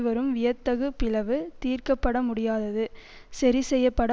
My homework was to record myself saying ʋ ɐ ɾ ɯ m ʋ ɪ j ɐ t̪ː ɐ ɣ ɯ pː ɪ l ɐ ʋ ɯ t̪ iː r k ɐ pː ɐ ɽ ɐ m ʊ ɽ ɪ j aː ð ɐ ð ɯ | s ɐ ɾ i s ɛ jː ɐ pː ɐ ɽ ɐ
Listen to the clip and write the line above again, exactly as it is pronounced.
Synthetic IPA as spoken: ʋ ɐ ɾ ɯ m ʋ ɪ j ɐ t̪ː ɐ ɣ ɯ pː ɪ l ɐ ʋ ɯ t̪ iː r k ɐ pː ɐ ɽ ɐ m ʊ ɽ ɪ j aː ð ɐ ð ɯ | s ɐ ɾ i s ɛ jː ɐ pː ɐ ɽ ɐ